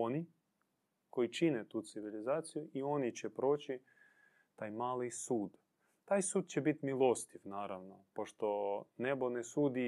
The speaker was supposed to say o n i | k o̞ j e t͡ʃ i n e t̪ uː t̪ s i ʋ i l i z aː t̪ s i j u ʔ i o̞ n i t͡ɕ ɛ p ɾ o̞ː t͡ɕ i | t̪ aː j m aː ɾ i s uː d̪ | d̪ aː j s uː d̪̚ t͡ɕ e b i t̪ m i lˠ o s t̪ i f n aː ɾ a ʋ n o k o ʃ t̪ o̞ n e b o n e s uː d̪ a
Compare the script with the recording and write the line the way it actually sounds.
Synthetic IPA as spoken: o n i | k o̞ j i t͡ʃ i n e t̪ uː t̪ s i ʋ i l i z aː t̪ s i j u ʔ i o̞ n i t͡ɕ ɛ p ɾ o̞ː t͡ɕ i | t̪ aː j m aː l i s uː d̪ | t̪ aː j s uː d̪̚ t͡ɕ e b i t̪ m i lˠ o s t̪ i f n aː ɾ a ʋ n o p o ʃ t̪ o̞ n e b o n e s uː d̪ i